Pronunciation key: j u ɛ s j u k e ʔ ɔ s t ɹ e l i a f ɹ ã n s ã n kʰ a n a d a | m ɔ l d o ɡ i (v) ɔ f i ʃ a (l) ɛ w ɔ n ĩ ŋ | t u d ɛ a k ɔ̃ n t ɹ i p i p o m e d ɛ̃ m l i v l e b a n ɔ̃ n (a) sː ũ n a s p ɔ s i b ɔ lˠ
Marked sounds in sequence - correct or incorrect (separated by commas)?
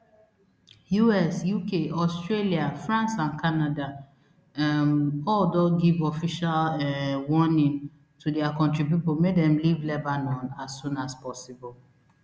correct, correct, correct